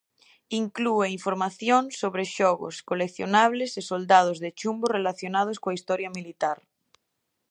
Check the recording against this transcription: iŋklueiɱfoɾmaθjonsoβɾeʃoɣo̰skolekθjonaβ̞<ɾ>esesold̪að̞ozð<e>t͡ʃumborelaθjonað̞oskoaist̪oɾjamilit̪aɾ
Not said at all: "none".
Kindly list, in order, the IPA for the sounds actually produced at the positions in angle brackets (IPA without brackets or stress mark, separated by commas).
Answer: l, e